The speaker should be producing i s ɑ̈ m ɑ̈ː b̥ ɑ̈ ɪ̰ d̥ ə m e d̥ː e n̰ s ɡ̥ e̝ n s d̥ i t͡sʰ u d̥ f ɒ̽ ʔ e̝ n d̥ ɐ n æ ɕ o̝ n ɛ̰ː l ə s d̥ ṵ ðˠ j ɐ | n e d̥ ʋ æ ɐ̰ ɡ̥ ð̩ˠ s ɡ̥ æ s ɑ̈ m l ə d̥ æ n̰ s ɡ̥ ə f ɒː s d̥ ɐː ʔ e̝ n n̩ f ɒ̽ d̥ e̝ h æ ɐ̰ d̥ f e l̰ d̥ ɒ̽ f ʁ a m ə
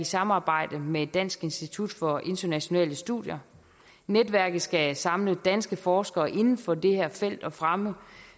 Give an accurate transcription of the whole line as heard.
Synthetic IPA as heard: i s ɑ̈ m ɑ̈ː b̥ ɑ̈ ɪ̰ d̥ ə m e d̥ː æ n̰ s ɡ̥ e̝ n s d̥ i t͡sʰ u d̥ f ɒ̽ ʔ e̝ n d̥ ɐ n æ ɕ o̝ n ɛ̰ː l ə s d̥ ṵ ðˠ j ɐ | n e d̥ ʋ æ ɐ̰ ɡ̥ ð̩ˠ s ɡ̥ æ s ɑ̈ m l ə d̥ æ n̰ s ɡ̥ ə f ɒː s ɡ̥ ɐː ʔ e̝ n n̩ f ɒ̽ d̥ e̝ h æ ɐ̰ f e l̰ d̥ ɒ̽ f ʁ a m ə